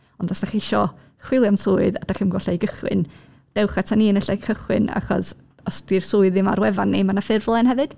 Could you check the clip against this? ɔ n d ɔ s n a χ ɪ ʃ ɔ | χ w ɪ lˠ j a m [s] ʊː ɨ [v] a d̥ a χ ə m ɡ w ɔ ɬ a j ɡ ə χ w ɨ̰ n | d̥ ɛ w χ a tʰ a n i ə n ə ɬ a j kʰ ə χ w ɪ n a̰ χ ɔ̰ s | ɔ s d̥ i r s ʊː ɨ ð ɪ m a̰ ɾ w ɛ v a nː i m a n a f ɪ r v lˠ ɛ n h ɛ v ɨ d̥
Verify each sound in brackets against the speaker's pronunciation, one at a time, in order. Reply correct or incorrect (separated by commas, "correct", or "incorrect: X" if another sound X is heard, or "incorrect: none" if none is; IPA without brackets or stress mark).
correct, incorrect: ð